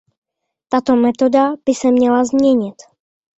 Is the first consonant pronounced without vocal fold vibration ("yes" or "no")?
yes